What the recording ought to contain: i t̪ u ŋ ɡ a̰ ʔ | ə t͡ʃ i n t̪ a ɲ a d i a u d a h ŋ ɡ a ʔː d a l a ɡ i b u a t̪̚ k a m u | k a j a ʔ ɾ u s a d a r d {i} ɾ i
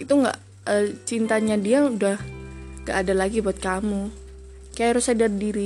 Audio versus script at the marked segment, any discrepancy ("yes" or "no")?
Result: no